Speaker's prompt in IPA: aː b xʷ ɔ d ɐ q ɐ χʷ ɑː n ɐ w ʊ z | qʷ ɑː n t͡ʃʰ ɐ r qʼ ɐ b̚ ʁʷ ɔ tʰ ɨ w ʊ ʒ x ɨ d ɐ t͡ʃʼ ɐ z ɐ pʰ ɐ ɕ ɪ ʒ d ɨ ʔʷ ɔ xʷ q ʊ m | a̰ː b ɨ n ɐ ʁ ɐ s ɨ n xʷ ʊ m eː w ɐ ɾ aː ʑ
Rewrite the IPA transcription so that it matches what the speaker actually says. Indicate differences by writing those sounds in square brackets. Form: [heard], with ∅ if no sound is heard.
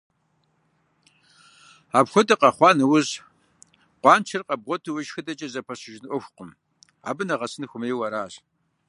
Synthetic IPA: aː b xʷ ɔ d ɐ q ɐ χʷ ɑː n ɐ w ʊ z | qʷ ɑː n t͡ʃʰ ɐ r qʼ ɐ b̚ ʁʷ ɔ tʰ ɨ w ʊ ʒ x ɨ d ɐ t͡ʃʼ ɐ z ɐ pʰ ɐ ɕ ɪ ʒ [n] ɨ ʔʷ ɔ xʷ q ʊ m | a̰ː b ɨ n ɐ ʁ ɐ s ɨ n xʷ ʊ m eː w ɐ ɾ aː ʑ